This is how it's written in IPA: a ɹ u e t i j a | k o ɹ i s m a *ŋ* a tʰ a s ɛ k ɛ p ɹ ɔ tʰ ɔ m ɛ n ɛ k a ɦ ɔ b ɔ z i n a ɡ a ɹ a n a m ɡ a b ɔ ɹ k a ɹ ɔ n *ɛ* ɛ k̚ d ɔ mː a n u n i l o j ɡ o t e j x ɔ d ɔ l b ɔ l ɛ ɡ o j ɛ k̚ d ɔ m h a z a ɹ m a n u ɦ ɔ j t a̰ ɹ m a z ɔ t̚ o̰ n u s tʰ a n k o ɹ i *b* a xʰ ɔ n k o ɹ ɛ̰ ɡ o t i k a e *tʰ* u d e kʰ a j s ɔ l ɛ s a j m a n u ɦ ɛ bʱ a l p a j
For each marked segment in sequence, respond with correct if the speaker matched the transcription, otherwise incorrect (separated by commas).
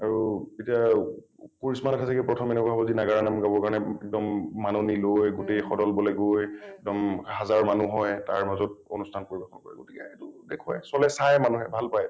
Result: incorrect, correct, correct, incorrect